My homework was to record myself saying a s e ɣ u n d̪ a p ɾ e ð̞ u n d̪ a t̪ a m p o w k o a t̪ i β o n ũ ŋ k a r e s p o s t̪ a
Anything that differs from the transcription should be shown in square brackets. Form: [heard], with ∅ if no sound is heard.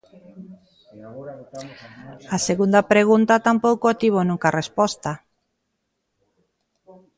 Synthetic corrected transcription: a s e ɣ u n d̪ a p ɾ e [ɣ̞] u n [t̪] a t̪ a m p o w k o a t̪ i β o n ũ ŋ k a r e s p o s t̪ a